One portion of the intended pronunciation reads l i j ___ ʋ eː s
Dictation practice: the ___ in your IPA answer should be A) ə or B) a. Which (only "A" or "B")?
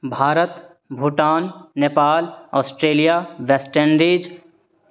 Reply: B